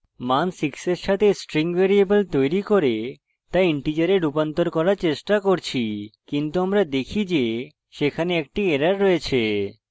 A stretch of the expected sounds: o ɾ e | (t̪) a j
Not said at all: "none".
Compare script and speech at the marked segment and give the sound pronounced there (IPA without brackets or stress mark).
t̪